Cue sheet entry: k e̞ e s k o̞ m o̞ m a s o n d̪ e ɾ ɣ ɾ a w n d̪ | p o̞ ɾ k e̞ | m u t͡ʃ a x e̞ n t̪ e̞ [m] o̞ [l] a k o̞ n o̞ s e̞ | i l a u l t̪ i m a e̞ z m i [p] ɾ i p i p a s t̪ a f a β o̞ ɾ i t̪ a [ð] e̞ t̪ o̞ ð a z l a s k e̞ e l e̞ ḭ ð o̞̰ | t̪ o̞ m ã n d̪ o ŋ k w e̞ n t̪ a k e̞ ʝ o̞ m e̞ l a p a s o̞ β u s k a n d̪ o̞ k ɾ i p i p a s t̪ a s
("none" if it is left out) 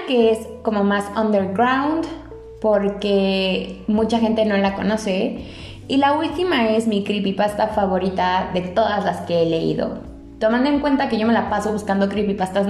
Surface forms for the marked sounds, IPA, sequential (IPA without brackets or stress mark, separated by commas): n, l, k, ð